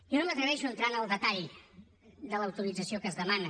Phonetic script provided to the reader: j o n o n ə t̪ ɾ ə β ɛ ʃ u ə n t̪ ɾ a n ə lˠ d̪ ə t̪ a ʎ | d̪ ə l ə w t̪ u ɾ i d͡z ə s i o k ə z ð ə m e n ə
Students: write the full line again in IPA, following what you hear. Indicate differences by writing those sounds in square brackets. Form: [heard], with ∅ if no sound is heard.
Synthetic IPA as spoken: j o n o [m] ə t̪ ɾ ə β ɛ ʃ u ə n t̪ ɾ a n ə lˠ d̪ ə t̪ a ʎ | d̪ ə l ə w t̪ u ɾ i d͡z ə s i o k ə z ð ə m [a] n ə

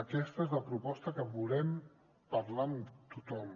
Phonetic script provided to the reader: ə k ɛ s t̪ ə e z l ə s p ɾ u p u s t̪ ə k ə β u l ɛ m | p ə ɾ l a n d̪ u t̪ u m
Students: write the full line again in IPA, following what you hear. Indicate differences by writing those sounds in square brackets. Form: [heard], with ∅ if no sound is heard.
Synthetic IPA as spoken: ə k ɛ s t̪ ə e z l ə [∅] p ɾ u p [ɔ] s t̪ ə k ə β u l ɛ m | p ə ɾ l a n [t̪] u t̪ [ɔ] m

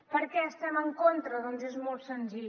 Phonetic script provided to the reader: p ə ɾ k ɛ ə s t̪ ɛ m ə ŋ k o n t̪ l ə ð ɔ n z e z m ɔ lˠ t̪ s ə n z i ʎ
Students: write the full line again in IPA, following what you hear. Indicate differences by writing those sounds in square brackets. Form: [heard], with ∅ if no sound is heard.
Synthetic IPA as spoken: p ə ɾ k ɛ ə s t̪ ɛ m ə ŋ k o n t̪ [ɾ] ə ð ɔ n z e z m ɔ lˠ t̪ s ə n z i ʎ

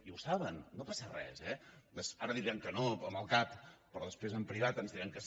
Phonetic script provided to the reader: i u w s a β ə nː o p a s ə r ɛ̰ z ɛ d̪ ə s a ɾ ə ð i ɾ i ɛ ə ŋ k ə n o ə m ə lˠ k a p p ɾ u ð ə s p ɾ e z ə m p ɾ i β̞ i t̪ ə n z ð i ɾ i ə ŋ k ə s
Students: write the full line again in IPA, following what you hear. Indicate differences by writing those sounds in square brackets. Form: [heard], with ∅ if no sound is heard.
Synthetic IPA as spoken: i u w s a β ə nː o p a s ə r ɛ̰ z ɛ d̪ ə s a ɾ ə ð i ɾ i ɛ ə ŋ k ə n o ə m ə lˠ k a p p ɾ [ɔ] ð ə s p ɾ e z ə m p ɾ i β̞ [a] t̪ ə n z ð i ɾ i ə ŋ k ə s

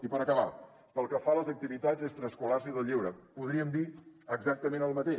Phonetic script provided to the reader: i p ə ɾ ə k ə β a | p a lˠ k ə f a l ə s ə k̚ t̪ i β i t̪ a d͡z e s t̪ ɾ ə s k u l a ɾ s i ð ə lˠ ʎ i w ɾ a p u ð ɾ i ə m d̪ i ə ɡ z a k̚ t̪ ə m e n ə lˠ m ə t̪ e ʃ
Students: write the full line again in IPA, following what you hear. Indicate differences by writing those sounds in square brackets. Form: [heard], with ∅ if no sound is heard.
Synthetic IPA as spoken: i p ə ɾ ə k ə β a | p [ə] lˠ k ə f a l ə [z] ə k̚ t̪ i β i t̪ a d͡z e s t̪ ɾ ə s k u l a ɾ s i ð ə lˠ ʎ i w ɾ [ə] p u ð ɾ i ə m d̪ i ə ɡ z a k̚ t̪ ə m e n ə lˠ m ə t̪ e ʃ

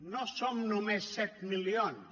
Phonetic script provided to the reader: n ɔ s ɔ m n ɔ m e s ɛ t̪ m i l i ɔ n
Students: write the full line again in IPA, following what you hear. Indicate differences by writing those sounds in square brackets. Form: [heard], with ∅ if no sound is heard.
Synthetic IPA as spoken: n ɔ s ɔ m n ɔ m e s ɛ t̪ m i l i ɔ n

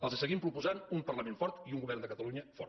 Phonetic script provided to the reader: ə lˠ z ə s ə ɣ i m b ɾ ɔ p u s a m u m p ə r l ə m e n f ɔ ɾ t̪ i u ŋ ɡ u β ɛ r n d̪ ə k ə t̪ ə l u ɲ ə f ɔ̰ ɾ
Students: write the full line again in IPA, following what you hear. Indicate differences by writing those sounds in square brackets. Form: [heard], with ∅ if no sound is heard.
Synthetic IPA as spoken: ə lˠ z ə s ə ɣ i m [p] ɾ [u] p u [z] a [n] u m p ə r l ə m e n f ɔ ɾ t̪ i u ŋ ɡ u β ɛ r n d̪ ə k ə t̪ ə l u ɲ ə f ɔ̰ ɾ

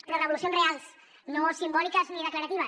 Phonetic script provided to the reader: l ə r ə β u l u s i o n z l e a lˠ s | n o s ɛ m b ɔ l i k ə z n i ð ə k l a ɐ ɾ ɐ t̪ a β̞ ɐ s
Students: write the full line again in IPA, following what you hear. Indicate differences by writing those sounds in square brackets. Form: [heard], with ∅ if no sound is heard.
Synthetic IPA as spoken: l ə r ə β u l u s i o n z [r] e a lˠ s | n o s [i] m b ɔ l i k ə z n i ð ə k l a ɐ ɾ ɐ t̪ [i] β̞ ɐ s

